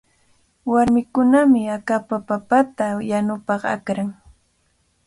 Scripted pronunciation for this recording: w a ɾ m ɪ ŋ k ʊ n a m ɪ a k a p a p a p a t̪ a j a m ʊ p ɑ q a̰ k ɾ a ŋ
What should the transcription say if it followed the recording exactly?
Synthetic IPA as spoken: w a ɾ m ɪ k ʊ n a m ɪ a k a p a p a p a t̪ a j a n ʊ p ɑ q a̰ k ɾ a ŋ